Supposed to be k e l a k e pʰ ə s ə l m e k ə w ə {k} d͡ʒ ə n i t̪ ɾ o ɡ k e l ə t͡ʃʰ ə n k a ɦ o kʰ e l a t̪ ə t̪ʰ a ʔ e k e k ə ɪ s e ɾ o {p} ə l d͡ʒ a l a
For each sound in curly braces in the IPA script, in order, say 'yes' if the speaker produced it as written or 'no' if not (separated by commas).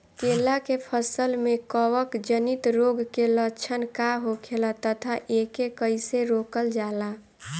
yes, no